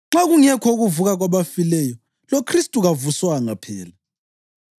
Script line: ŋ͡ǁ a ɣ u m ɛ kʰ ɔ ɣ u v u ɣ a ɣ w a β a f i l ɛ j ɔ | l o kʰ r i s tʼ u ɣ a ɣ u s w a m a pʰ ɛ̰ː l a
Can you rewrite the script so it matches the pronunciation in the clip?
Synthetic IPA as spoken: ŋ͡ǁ a ɣ u ŋ ɛ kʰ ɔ ɣ u v u ɣ a ɣ w a β a f i l ɛ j ɔ | l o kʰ r i s tʼ u ɣ a v u s w a ŋ a pʰ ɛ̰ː l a